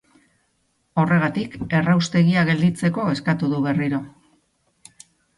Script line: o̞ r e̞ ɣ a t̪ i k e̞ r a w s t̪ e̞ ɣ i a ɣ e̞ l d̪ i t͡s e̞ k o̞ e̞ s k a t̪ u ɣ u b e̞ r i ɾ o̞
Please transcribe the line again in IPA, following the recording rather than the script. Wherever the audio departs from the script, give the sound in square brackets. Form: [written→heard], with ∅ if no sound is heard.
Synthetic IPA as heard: o̞ r e̞ ɣ a t̪ i k e̞ r a w s t̪ e̞ ɣ i a ɣ e̞ l d̪ i t͡s e̞ k o̞ e̞ s k a t̪ u [ɣ→ð] u [b→β] e̞ r i ɾ o̞